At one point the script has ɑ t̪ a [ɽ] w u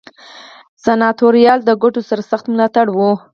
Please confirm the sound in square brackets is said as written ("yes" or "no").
yes